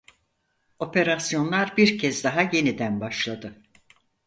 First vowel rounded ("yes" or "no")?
yes